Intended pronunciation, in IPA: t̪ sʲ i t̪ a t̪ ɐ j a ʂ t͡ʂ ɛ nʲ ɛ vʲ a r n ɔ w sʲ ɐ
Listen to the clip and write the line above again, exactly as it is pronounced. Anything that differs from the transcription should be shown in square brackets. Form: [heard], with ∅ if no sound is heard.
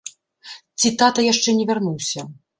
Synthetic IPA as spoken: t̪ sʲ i t̪ a t̪ ɐ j a ʂ t͡ʂ ɛ nʲ ɛ vʲ a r n [u] w sʲ ɐ